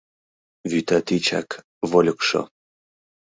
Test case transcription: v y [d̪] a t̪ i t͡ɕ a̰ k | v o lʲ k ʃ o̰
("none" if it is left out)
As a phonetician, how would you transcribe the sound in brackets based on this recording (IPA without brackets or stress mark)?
t̪